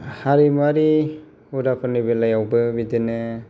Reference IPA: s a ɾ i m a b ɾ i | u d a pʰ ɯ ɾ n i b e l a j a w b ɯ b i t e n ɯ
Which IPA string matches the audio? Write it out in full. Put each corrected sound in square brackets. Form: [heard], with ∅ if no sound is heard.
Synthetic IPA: [h] a ɾ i m a [∅] ɾ i | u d a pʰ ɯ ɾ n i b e l a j a w b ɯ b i [d] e n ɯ